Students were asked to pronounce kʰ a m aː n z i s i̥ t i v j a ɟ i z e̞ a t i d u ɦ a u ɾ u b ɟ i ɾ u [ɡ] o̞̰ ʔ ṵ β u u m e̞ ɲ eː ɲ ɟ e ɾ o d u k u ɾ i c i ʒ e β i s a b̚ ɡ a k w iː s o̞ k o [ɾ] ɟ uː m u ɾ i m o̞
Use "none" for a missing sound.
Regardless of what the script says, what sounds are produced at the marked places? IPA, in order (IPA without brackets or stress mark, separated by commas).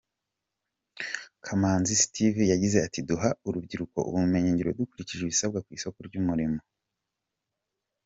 k, ɾ